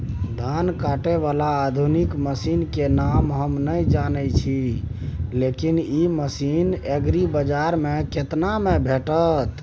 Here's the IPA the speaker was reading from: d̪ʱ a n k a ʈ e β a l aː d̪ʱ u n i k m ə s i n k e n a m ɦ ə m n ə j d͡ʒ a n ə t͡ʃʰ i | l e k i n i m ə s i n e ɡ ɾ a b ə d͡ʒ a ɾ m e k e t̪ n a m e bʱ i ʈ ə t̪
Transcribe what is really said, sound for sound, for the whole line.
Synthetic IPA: d̪ʱ a n k a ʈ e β a l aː d̪ʱ u n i k m ə s i n k e n a m ɦ ə m n ə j d͡ʒ a n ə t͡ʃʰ i | l e k i n i m ə s i n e ɡ ɾ i b ə d͡ʒ a ɾ m e k e t̪ n a m e bʱ e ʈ ə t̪